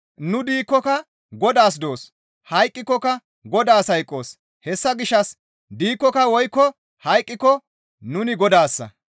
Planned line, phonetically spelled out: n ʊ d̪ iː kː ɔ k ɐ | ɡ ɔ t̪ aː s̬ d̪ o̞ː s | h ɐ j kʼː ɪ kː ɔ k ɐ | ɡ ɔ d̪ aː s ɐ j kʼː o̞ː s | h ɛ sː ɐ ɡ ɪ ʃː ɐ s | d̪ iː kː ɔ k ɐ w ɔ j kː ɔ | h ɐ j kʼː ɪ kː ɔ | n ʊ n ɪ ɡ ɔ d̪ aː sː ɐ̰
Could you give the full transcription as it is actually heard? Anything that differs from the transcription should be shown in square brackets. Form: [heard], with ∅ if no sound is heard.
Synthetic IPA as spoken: n ʊ d̪ iː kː ɔ k ɐ | ɡ ɔ [d̪] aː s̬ d̪ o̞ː s | h ɐ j kʼː ɪ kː ɔ k ɐ | ɡ ɔ d̪ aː s ɐ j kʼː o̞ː s | h ɛ sː ɐ ɡ ɪ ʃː ɐ s | d̪ iː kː ɔ k ɐ w ɔ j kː ɔ | h ɐ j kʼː ɪ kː ɔ | n ʊ n ɪ ɡ ɔ d̪ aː sː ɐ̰